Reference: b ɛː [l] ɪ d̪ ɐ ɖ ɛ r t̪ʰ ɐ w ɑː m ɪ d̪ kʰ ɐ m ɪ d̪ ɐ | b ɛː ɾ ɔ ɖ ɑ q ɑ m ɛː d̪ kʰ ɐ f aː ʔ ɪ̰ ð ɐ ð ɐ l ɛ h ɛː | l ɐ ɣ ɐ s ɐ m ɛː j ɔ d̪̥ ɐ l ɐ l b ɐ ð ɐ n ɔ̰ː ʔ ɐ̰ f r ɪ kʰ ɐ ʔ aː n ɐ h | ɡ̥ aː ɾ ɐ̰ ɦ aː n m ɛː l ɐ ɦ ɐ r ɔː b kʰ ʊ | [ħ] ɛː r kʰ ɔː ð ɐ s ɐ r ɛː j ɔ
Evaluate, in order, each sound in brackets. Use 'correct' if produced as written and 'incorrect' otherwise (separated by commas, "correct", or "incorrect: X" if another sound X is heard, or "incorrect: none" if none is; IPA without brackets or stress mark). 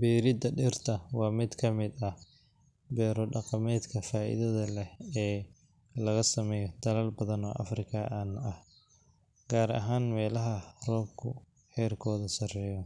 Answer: incorrect: ɾ, correct